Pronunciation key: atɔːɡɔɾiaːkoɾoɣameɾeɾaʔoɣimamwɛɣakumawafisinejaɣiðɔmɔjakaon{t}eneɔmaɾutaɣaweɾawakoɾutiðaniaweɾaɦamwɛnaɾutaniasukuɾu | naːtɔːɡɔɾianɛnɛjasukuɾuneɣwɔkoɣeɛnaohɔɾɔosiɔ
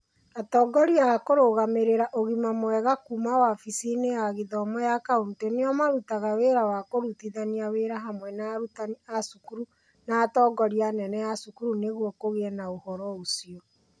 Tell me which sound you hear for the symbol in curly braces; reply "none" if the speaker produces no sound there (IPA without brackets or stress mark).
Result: t